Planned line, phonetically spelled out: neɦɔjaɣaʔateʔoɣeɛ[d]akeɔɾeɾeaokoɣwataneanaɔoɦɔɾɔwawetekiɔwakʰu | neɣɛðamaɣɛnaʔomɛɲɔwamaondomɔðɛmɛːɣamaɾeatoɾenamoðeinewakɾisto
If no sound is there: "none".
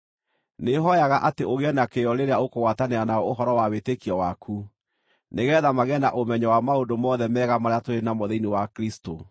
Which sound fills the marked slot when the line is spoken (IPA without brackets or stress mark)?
n